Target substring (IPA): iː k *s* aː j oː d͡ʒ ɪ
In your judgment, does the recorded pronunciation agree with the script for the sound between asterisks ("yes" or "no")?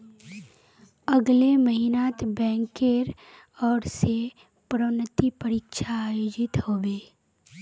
no